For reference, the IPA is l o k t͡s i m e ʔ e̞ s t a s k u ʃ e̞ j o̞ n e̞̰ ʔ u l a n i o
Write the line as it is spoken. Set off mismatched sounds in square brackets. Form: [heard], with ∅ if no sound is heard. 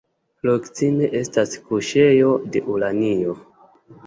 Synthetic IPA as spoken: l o k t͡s i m e ʔ e̞ s t a s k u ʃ e̞ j o̞ [d] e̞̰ ʔ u l a n i o